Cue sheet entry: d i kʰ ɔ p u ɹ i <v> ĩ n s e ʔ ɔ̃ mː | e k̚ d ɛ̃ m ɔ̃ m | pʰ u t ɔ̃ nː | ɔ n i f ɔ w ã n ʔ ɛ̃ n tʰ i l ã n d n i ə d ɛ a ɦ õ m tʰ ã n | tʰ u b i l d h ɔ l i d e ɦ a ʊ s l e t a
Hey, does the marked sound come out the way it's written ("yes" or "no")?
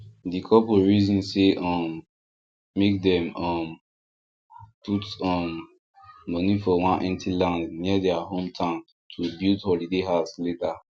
no